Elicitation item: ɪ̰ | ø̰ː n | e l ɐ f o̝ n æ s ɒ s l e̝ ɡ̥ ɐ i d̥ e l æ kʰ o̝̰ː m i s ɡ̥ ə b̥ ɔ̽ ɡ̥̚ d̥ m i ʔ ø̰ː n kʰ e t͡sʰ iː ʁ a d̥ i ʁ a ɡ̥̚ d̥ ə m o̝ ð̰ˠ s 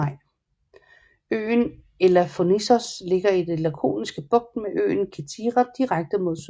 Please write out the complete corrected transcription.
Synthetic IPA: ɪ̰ | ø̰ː n | e l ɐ f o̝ n i s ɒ s l e̝ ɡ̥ ɐ i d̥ e l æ kʰ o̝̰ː n i s ɡ̥ ə b̥ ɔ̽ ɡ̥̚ d̥ m e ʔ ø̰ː n kʰ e t͡sʰ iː ʁ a d̥ i ʁ a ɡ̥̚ d̥ ə m o̝ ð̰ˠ s